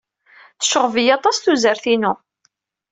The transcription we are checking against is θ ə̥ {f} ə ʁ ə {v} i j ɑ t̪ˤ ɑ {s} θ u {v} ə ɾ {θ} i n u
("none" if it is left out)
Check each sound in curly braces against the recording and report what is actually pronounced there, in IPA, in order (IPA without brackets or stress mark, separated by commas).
ʃ, v, s, z, θ